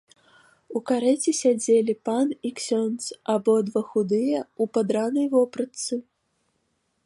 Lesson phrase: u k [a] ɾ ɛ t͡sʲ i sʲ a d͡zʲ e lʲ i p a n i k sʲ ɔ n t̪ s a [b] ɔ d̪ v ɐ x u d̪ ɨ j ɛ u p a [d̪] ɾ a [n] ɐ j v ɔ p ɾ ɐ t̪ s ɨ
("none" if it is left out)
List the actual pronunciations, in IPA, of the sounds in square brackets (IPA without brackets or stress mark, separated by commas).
a, b, d̪, n